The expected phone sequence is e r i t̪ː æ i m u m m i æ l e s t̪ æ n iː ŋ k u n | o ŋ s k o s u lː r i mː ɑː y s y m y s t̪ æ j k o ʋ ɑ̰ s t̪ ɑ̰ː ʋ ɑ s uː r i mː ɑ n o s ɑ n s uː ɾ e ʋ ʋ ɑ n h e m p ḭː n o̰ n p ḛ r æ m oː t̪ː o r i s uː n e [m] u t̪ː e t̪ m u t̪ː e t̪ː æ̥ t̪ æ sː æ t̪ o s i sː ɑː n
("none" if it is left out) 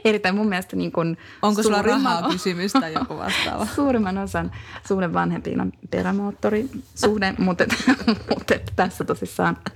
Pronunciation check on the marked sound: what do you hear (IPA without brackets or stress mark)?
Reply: m